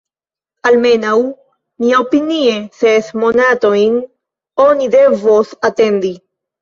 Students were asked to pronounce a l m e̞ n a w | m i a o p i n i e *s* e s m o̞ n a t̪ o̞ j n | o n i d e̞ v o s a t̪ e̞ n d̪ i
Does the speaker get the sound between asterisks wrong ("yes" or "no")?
no